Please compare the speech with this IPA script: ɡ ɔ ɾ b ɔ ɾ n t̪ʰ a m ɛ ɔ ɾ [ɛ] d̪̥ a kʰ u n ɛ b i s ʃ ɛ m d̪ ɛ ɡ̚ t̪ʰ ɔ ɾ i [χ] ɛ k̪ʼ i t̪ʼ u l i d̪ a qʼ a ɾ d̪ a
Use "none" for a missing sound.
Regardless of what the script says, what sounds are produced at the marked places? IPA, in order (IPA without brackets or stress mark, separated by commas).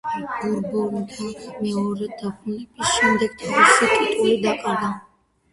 ɛ, s